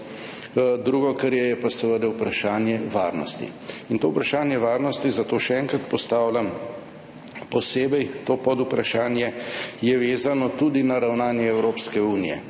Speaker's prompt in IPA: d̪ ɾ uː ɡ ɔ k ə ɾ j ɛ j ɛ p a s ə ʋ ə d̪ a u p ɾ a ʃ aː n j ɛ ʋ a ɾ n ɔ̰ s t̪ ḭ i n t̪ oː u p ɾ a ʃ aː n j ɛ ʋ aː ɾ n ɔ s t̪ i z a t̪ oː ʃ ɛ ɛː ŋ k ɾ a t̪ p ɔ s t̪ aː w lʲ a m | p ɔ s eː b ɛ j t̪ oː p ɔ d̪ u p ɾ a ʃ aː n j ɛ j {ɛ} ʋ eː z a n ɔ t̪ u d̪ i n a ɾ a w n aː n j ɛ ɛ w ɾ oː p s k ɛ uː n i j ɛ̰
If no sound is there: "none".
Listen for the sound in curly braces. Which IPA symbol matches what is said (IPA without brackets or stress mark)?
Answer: ɛ